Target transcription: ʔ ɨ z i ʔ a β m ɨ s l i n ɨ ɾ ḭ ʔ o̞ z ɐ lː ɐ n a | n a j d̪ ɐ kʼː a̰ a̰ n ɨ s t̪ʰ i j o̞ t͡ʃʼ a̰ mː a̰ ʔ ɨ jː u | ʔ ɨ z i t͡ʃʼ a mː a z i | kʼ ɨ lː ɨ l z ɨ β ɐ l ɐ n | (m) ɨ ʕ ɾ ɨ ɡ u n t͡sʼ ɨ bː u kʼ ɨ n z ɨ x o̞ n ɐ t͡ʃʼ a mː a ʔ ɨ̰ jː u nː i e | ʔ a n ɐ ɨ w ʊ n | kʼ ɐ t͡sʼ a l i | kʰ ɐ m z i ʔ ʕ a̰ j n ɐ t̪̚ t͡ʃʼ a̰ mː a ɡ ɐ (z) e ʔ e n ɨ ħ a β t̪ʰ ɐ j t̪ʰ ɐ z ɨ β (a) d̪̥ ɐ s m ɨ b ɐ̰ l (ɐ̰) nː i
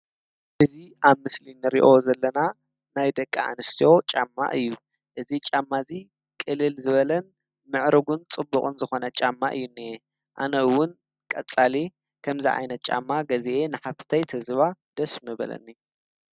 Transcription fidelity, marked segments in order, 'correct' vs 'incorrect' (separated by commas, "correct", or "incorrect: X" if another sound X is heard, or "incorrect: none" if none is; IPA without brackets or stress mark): correct, correct, correct, correct